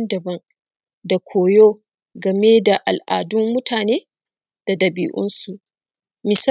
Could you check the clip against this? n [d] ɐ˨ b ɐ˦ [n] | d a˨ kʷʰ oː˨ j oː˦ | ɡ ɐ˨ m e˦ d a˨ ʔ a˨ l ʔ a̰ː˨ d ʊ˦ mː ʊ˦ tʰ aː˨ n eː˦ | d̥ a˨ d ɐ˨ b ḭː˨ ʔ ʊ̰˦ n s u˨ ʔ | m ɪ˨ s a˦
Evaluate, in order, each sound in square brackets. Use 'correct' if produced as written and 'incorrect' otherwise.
correct, incorrect: ŋ

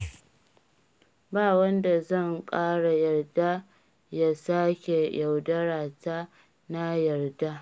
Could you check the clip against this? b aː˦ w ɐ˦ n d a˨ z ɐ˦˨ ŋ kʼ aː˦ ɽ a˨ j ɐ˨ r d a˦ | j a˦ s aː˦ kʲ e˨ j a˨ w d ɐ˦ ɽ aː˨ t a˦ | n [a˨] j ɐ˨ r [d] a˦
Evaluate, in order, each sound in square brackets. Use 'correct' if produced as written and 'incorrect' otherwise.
incorrect: a˦, correct

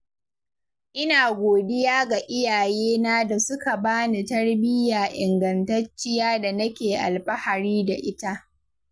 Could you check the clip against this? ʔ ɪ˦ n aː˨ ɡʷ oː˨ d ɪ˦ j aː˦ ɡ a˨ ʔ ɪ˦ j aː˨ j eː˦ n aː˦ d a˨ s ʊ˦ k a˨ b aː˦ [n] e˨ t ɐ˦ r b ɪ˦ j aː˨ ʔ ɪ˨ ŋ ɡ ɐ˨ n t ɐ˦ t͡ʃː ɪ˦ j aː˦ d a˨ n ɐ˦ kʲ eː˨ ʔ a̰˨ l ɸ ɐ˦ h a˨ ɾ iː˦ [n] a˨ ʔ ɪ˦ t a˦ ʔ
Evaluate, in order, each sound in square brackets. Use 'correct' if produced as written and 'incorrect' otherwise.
correct, incorrect: d

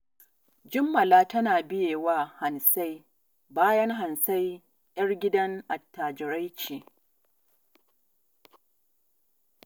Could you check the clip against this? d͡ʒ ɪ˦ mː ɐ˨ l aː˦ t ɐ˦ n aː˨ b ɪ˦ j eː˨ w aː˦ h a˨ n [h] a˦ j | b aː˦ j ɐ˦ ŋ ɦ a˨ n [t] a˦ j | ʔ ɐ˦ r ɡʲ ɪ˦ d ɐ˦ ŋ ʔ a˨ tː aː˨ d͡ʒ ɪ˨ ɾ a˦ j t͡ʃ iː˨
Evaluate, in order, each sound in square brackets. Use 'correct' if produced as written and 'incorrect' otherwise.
incorrect: s, incorrect: s

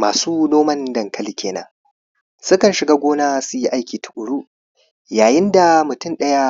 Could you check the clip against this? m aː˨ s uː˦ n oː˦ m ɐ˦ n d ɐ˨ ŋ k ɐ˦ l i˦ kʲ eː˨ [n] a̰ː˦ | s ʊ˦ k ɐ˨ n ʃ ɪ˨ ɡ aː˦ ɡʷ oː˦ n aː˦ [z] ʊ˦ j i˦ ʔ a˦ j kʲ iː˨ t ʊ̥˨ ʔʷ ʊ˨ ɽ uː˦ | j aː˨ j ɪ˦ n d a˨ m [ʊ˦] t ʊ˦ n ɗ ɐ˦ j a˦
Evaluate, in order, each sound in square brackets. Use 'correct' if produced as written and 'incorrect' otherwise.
correct, incorrect: s, incorrect: ʊ˨

